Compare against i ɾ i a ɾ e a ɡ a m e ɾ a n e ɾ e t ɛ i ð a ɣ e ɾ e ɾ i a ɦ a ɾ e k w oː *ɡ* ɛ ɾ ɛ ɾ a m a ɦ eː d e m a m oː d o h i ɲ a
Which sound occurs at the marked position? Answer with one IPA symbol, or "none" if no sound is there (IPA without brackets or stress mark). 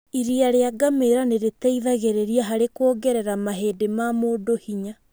ɡ